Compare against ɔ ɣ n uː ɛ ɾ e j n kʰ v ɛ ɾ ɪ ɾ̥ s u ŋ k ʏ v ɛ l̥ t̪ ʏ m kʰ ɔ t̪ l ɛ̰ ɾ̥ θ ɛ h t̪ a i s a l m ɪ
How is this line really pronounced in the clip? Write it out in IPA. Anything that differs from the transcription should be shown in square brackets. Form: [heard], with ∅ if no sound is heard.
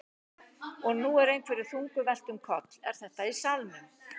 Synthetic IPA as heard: ɔ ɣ n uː ɛ ɾ e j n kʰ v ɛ ɾ ɪ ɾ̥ [θ] u ŋ k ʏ v ɛ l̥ t̪ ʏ m kʰ ɔ t̪ l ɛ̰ ɾ̥ θ ɛ h t̪ a i s a l m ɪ